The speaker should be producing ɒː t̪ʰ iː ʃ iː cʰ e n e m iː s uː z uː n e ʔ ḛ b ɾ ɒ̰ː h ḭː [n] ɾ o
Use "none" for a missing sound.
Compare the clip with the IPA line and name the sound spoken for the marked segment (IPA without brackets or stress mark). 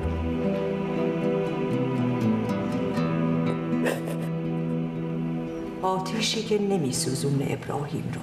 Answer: m